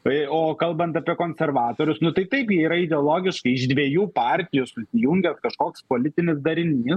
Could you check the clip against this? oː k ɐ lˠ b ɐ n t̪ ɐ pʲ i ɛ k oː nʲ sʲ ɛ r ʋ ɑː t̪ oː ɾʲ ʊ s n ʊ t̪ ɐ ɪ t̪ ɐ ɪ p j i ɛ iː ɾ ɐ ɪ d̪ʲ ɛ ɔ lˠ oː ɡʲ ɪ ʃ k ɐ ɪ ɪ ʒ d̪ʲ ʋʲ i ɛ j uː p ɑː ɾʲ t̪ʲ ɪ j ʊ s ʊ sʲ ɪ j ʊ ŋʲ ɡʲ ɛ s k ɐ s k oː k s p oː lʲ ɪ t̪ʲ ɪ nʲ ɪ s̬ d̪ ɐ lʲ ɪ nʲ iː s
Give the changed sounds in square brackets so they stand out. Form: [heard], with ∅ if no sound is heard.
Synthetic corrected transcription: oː k ɐ lˠ b ɐ n t̪ ɐ pʲ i ɛ k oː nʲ sʲ ɛ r ʋ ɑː t̪ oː ɾʲ ʊ s n ʊ t̪ ɐ ɪ t̪ ɐ ɪ p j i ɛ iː ɾ ɐ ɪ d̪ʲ ɛ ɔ lˠ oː ɡʲ ɪ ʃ k ɐ ɪ ɪ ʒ d̪ʲ ʋʲ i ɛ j uː p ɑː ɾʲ t̪ʲ ɪ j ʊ s ʊ sʲ ɪ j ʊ ŋʲ ɡʲ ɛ s k ɐ [ʃ] k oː k s p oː lʲ ɪ t̪ʲ ɪ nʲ ɪ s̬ d̪ ɐ [ɾʲ] ɪ nʲ iː s